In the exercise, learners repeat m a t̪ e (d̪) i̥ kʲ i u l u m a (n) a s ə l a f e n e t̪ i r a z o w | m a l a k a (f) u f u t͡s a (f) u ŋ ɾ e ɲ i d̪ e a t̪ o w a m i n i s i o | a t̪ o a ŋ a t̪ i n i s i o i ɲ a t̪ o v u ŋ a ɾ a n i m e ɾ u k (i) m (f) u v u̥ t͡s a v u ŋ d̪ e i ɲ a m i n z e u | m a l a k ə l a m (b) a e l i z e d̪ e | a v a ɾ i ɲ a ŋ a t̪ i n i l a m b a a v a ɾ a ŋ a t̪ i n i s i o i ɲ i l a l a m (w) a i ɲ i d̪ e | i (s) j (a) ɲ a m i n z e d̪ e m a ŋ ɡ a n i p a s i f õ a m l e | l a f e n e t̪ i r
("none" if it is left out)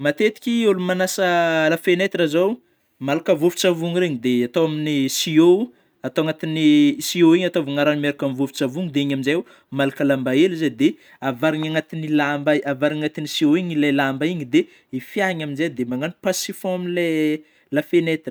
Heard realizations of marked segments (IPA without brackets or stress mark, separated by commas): t̪, n, v, v, a, v, b, b, f, a